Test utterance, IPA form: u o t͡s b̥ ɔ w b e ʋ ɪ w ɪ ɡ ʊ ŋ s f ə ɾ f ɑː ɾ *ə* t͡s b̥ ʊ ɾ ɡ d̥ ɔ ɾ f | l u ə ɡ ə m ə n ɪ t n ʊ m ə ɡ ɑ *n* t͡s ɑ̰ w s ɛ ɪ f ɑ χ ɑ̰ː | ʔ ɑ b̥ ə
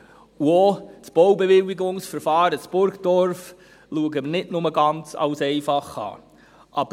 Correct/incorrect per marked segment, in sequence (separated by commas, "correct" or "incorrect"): correct, correct